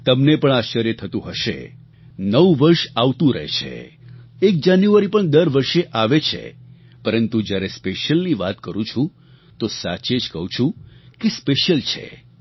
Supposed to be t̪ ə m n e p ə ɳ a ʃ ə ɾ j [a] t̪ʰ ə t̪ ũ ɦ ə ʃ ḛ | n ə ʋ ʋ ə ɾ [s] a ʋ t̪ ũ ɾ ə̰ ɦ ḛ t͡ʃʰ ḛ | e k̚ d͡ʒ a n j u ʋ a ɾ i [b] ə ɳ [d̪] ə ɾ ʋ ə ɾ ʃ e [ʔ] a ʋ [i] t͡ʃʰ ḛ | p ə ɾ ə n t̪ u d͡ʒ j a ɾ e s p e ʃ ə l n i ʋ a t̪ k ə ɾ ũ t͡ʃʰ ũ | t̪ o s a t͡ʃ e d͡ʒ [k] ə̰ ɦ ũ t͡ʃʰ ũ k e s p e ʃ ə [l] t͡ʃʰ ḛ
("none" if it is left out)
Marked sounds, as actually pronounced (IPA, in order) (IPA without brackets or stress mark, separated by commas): ə, ʃ, p, d̪, ʔ, e, k, l